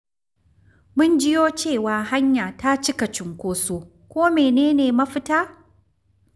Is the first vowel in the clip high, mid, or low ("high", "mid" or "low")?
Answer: high